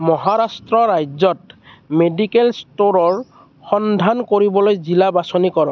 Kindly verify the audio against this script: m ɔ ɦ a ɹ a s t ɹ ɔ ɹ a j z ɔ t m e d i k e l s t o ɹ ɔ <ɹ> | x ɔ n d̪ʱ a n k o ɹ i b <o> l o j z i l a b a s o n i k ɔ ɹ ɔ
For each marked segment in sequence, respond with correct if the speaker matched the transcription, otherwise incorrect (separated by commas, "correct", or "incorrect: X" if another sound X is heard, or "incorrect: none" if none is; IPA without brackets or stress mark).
correct, incorrect: ɔ